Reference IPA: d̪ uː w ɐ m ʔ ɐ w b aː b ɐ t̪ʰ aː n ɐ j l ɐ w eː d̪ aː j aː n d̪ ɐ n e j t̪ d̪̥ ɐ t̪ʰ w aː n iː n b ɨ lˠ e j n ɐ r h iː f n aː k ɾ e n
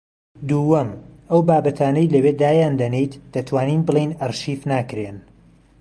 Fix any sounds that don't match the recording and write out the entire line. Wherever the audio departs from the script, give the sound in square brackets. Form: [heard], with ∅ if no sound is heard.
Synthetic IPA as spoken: d̪ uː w ɐ m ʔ ɐ w b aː b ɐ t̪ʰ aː n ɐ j l ɐ w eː d̪ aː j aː n d̪ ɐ n e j t̪ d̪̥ ɐ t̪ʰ w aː n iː n b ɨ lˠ e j n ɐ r [ʃ] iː f n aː k ɾ e n